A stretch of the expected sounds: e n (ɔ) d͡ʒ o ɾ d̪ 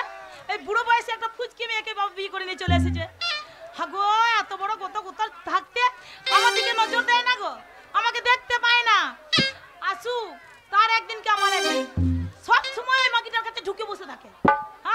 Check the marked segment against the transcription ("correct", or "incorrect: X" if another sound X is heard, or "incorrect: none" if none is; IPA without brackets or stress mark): correct